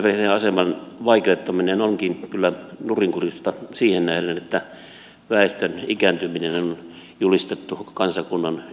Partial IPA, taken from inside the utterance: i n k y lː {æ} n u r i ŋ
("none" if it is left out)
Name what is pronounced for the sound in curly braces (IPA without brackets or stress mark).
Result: æ